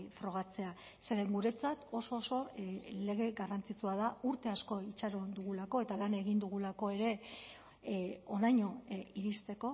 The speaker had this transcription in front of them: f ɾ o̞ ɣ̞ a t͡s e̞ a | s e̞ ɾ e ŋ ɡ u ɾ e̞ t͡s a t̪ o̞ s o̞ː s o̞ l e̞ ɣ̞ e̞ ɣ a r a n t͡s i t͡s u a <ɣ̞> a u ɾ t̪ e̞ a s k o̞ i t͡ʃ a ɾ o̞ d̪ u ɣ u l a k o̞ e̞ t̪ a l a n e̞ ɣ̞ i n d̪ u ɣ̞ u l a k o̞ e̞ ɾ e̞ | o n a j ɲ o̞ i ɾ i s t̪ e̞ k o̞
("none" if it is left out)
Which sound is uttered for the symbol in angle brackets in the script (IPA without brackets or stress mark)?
ð̞